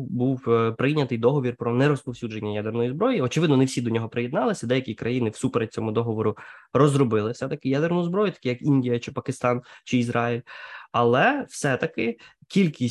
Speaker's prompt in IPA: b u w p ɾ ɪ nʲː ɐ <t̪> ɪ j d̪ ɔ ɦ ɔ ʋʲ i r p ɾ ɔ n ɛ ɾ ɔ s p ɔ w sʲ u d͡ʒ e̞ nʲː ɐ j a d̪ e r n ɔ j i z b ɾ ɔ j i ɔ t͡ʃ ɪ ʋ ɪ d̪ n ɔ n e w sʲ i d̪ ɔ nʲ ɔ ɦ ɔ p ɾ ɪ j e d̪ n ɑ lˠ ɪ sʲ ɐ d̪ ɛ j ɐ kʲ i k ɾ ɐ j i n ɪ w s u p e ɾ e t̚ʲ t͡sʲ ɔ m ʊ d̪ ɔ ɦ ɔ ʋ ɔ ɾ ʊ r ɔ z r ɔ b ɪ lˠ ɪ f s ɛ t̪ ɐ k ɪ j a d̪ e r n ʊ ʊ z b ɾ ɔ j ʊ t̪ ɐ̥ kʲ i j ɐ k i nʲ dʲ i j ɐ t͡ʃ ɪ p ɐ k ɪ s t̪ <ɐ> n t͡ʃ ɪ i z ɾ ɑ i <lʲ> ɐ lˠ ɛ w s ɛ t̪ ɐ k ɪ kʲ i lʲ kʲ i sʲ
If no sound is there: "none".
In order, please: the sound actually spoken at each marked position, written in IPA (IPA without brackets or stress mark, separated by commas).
t̪, ɑ, lʲ